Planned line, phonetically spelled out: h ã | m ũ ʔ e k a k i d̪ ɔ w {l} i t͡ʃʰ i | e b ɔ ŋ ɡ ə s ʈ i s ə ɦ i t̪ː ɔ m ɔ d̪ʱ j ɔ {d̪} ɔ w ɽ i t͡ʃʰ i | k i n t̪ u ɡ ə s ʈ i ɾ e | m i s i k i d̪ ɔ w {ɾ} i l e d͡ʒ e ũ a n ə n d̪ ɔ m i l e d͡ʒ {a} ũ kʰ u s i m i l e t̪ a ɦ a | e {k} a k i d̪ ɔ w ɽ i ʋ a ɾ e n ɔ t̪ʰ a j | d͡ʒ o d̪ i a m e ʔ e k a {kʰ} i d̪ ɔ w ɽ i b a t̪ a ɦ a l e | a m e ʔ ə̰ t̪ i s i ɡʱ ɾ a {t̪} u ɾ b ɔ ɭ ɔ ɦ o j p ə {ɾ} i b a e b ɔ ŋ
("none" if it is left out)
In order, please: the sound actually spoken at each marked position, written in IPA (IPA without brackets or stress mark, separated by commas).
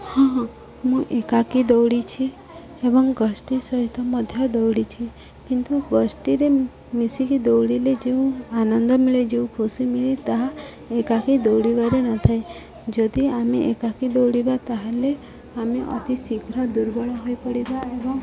ɽ, d̪, ɽ, e, k, k, d̪, ɽ